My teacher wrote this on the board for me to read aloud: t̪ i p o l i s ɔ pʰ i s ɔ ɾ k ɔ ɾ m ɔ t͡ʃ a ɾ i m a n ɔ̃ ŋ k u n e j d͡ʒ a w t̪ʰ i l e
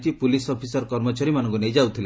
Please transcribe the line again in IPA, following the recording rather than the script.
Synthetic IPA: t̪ i p u l i s ɔ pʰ i s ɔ ɾ k ɔ ɾ m ɔ t͡ʃ a ɾ i m a n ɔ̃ ŋ k u n e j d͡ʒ a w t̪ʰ i l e